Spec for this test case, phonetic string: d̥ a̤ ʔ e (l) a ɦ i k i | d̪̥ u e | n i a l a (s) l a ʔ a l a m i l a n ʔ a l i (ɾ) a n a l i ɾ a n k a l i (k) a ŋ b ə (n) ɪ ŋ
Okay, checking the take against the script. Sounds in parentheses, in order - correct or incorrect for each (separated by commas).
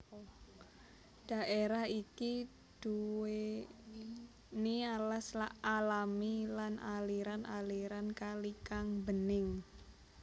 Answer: incorrect, correct, correct, correct, correct